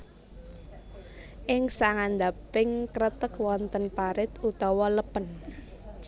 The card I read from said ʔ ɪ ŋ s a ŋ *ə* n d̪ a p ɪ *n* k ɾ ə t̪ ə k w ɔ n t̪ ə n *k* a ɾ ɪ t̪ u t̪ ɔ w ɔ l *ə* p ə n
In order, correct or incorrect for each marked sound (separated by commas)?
incorrect, incorrect, incorrect, correct